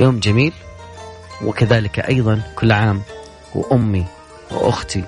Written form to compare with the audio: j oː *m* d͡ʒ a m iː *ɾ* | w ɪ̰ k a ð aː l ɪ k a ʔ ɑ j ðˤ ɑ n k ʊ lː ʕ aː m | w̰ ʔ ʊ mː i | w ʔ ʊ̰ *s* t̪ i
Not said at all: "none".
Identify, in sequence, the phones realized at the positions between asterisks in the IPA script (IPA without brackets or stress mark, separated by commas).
m, l, x